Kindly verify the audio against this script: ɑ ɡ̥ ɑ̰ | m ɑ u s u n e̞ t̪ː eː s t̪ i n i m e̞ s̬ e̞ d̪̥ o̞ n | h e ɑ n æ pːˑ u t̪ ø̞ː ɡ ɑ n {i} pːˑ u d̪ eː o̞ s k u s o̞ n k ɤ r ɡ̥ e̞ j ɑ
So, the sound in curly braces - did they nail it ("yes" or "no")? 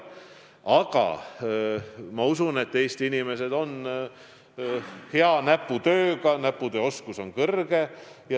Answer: no